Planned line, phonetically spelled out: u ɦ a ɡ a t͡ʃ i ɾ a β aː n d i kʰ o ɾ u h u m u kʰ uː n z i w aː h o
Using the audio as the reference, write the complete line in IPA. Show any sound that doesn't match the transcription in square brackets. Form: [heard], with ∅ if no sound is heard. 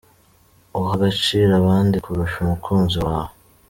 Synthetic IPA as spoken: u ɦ a ɡ a t͡ʃ i ɾ a β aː n d i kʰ [u] ɾ u [ʃ] u m u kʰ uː n z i w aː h o